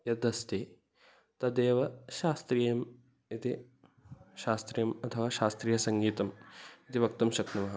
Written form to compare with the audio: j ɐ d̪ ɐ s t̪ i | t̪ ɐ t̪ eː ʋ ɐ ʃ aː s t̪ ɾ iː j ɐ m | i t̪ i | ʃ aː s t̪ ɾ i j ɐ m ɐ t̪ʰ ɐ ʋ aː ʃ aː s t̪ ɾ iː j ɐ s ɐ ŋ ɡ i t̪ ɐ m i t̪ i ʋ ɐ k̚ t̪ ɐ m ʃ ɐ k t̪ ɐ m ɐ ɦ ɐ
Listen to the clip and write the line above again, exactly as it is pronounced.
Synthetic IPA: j ɐ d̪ ɐ s t̪ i | t̪ ɐ d̪ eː ʋ ɐ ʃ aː s t̪ ɾ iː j ɐ m | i t̪ i | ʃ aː s t̪ ɾ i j ɐ m ɐ t̪ʰ ɐ ʋ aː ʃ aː s t̪ ɾ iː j ɐ s ɐ ŋ ɡ iː t̪ ɐ m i t̪ i ʋ ɐ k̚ t̪ ɐ m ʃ ɐ k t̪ ɐ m ɐ ɦ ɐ